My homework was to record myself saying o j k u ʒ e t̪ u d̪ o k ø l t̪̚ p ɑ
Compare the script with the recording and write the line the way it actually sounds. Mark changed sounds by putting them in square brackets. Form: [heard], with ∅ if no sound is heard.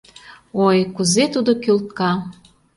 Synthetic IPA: o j k u [z] e t̪ u d̪ o k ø l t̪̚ [k] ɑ